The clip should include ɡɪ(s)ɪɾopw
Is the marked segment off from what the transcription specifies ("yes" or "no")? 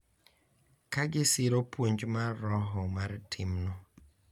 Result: no